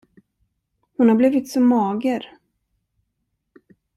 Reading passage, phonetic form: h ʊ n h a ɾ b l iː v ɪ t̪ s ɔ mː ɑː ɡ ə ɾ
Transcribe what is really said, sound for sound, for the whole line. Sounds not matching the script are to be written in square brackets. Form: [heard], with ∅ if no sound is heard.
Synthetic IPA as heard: h ʊ n h a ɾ b l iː v ɪ t̪ s ɔ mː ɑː ɡ ə ɾ